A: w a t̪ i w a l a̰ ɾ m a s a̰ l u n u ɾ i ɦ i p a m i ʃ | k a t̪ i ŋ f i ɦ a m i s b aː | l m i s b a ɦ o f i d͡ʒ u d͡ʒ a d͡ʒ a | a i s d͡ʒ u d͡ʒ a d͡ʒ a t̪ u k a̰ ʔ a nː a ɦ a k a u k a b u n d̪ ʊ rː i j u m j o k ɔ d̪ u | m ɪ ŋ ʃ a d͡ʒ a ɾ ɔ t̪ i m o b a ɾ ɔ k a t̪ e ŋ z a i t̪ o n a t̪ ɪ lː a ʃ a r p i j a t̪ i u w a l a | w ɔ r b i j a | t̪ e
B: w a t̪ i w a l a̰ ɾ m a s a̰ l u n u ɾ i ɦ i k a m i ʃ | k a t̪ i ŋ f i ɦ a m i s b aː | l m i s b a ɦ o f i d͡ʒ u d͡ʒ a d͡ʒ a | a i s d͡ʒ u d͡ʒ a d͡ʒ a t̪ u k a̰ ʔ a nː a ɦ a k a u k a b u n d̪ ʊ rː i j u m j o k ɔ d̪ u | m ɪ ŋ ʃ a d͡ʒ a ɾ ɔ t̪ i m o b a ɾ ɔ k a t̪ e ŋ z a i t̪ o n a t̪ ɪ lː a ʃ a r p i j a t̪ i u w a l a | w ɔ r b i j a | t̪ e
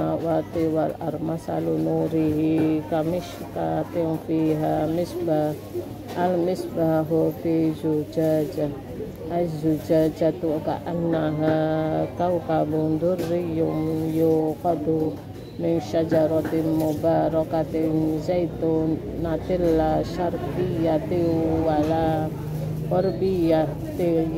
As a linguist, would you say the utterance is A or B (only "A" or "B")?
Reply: B